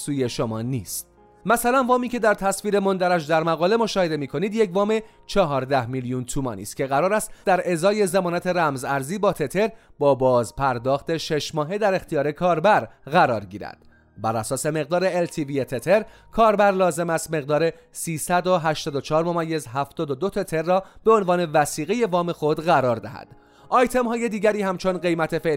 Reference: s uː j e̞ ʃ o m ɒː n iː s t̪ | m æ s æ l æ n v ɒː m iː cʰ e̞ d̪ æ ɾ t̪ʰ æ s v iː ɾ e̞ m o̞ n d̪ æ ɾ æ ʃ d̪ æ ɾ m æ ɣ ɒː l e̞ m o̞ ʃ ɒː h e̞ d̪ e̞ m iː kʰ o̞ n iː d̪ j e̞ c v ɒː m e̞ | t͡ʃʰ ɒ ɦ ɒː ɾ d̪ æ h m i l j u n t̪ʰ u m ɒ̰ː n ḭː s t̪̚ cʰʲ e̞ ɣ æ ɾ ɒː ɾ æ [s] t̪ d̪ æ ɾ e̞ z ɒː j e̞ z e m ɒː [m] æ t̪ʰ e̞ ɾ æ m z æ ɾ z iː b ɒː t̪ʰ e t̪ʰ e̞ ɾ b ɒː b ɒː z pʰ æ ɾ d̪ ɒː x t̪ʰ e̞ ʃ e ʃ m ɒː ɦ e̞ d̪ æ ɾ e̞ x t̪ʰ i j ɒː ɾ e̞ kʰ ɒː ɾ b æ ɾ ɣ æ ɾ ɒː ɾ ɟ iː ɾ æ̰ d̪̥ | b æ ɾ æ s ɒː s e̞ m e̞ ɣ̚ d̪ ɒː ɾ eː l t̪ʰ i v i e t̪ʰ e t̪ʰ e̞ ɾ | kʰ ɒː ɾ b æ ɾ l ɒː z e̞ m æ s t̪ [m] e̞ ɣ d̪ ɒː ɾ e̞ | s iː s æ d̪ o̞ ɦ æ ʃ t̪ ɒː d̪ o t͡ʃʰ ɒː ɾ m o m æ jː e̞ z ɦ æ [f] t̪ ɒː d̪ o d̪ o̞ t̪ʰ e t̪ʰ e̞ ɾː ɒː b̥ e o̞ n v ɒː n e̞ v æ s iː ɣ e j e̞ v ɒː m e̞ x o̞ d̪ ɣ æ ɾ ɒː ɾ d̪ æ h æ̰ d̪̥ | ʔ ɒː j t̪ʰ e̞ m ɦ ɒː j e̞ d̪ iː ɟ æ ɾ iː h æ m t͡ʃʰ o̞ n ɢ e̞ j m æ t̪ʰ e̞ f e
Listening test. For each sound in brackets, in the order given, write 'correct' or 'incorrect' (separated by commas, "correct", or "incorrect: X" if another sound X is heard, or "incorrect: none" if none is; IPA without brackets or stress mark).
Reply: correct, incorrect: n, correct, correct